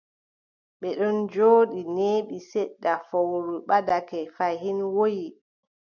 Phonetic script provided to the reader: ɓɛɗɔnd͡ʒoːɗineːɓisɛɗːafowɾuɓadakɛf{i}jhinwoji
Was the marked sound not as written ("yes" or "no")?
yes